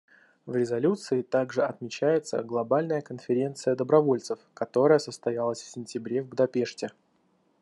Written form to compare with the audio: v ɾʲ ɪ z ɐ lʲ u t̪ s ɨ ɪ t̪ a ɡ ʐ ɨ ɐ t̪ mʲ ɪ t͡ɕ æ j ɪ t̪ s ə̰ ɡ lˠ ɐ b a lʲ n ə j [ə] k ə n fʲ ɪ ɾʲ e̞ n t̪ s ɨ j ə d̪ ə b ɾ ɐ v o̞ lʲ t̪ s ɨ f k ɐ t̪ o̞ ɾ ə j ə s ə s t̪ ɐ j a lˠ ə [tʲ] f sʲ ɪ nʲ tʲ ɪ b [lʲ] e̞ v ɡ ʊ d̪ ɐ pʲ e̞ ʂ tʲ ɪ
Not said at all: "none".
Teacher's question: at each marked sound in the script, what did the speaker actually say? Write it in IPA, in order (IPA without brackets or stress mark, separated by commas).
ə, sʲ, ɾʲ